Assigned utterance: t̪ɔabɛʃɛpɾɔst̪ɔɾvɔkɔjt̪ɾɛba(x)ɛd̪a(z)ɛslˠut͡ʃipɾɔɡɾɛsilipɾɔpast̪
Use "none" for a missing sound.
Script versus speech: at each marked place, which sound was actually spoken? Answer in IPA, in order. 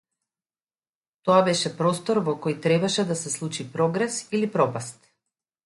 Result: ʃ, s

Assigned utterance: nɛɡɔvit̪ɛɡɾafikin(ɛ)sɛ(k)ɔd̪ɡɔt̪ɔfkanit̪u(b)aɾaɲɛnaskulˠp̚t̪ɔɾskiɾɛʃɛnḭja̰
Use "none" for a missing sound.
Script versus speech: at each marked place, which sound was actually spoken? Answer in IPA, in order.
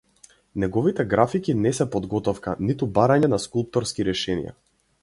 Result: ɛ, p, b

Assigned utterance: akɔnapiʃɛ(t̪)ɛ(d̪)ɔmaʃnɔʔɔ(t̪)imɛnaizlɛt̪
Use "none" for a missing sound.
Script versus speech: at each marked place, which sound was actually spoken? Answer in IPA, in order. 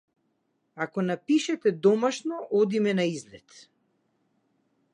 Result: t̪, d̪, d̪

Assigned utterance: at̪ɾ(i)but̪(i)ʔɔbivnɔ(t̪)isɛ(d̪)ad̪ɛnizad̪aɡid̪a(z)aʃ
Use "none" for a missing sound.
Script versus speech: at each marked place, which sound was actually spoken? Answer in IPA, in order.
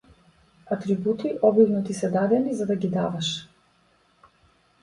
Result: i, i, t̪, d̪, v

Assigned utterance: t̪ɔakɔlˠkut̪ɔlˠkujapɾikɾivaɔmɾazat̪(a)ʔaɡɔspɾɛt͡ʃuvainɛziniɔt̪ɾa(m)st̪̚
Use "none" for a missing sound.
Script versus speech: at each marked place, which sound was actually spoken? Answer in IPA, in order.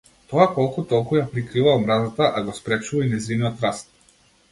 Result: a, none

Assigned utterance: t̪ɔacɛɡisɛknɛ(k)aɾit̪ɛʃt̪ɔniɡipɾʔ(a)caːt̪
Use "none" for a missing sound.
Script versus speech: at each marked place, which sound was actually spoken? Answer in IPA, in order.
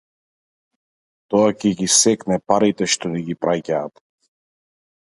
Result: p, a

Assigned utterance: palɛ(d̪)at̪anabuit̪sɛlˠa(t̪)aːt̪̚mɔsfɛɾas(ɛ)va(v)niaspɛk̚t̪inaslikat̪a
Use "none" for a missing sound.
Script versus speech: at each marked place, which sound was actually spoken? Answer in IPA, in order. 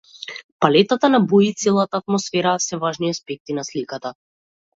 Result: t̪, t̪, ɛ, ʒ

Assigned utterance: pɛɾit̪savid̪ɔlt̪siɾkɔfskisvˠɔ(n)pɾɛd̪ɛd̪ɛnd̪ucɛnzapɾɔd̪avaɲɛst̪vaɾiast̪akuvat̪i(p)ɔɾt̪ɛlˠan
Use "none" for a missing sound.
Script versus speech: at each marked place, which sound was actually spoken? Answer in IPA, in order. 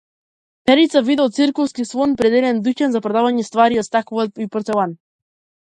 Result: n, p

